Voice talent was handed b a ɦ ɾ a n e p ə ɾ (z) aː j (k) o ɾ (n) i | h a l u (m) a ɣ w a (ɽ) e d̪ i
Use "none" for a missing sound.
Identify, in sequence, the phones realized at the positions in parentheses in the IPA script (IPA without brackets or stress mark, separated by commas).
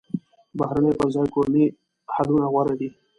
z, k, n, n, ɾ